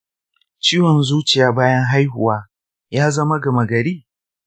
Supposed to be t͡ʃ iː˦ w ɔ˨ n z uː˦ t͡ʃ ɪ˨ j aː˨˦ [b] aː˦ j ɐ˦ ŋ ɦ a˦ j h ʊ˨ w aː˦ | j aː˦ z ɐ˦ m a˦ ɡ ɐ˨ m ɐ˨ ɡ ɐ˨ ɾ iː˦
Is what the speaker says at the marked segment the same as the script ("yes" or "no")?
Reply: yes